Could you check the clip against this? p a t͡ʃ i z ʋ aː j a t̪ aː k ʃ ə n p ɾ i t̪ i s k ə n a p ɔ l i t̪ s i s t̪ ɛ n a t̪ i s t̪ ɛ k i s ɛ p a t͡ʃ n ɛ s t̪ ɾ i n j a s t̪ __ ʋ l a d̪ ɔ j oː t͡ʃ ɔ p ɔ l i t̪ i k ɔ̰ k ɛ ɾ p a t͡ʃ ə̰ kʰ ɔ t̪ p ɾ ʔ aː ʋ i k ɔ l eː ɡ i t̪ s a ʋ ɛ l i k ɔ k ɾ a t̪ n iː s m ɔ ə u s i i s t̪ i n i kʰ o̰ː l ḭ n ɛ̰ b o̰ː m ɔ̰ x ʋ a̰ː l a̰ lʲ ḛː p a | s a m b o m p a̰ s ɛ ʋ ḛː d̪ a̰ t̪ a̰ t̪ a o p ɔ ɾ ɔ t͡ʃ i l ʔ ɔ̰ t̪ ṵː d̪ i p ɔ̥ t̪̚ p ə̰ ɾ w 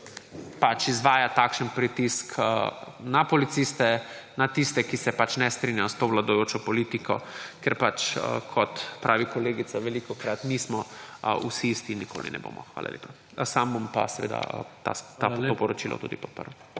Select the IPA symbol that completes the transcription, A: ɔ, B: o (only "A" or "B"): B